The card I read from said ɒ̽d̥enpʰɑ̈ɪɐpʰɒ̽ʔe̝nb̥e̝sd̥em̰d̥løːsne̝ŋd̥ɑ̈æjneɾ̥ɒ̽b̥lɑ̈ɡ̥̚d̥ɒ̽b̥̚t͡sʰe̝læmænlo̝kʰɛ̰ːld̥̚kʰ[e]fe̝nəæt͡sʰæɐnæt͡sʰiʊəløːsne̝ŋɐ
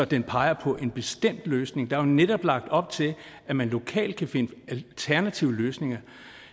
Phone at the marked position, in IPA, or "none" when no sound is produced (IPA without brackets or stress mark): æ